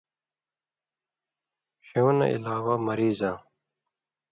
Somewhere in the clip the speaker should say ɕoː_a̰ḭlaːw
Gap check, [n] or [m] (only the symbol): n